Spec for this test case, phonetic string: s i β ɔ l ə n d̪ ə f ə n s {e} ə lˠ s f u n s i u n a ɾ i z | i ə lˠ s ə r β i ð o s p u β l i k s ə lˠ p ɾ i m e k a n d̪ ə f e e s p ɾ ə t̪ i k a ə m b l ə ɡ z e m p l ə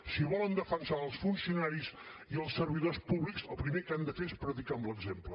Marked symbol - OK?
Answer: no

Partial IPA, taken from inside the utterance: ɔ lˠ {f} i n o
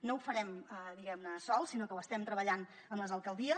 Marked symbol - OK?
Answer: no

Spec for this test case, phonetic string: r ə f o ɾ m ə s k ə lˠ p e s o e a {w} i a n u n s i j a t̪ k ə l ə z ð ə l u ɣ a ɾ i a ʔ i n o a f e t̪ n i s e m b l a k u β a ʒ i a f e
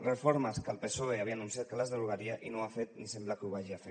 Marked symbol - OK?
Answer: no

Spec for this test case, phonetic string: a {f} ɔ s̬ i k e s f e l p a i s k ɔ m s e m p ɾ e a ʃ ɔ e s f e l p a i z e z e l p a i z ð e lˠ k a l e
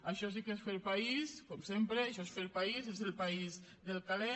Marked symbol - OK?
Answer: no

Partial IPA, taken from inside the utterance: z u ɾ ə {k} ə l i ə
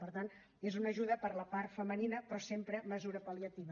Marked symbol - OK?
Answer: no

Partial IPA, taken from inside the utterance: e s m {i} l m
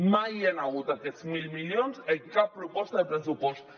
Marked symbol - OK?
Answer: yes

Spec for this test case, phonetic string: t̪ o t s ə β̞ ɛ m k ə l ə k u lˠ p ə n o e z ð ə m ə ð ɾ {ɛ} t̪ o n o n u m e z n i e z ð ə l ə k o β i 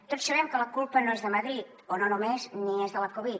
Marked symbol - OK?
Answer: no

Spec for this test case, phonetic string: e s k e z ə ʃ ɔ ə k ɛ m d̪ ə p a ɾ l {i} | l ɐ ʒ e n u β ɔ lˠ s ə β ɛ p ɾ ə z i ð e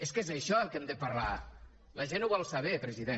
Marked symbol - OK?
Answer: no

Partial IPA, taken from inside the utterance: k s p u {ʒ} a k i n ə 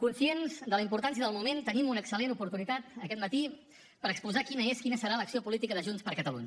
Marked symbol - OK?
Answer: no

